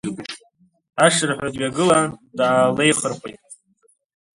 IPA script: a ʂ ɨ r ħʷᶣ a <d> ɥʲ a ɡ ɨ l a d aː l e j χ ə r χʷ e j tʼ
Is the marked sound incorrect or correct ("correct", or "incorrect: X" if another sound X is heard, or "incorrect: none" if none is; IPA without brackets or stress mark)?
correct